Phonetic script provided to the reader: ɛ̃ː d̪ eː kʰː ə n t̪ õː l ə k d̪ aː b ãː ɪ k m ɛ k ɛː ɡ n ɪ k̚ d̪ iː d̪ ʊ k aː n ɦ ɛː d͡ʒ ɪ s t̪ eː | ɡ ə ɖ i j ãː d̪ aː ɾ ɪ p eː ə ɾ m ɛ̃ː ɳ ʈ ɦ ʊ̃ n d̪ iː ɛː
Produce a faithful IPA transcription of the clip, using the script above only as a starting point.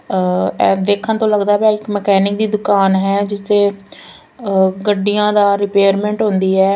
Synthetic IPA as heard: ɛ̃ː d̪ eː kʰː ə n t̪ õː l ə ɡ d̪ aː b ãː ɪ k m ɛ k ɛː n ɪ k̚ d̪ iː d̪ ʊ k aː n ɦ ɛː d͡ʒ ɪ s t̪ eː | ɡ ə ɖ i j ãː d̪ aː ɾ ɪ p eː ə ɾ m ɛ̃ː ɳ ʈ ɦ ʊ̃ n d̪ iː ɛː